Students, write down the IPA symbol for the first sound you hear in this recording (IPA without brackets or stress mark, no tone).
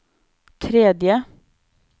t̪ʰ